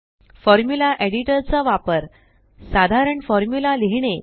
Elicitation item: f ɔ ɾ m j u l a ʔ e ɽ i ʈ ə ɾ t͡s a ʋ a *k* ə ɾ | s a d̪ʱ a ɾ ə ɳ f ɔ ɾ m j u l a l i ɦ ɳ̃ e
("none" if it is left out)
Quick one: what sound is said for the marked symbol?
p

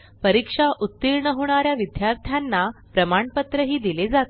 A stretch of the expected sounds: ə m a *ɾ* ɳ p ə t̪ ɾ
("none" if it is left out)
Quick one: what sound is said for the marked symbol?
none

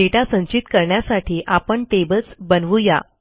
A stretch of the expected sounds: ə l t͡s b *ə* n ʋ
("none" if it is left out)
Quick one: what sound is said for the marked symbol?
ə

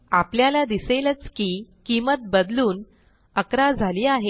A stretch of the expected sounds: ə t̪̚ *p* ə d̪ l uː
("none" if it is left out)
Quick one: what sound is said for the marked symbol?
b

